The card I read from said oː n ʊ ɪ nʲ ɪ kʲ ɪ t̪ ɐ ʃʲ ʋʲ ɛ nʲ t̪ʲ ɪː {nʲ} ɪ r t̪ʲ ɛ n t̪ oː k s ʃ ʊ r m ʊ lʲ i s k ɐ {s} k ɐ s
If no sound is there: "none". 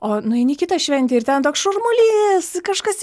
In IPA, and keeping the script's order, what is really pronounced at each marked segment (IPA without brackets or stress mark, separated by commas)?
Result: none, ʃ